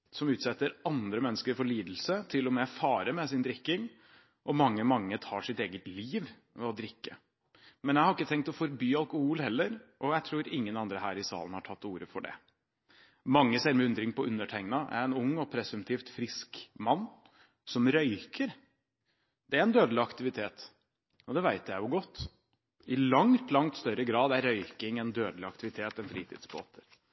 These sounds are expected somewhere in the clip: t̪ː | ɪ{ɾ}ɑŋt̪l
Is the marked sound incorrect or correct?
incorrect